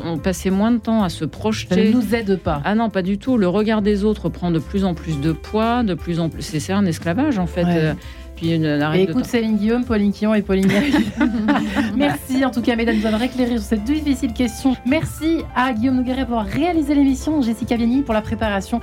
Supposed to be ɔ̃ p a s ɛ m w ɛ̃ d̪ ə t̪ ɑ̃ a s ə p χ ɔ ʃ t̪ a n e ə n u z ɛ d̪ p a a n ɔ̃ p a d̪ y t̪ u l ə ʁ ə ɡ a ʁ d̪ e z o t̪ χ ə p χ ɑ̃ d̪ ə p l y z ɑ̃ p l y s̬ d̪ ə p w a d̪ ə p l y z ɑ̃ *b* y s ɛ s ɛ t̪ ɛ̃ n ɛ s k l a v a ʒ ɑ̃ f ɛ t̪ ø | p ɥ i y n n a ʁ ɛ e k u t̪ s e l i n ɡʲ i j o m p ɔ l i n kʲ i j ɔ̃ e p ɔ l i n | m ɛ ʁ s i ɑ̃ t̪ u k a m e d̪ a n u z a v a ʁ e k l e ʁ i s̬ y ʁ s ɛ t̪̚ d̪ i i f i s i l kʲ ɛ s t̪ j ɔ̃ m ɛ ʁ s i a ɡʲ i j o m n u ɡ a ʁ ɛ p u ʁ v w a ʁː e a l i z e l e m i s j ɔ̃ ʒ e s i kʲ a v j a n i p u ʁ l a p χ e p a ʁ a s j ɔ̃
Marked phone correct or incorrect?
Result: incorrect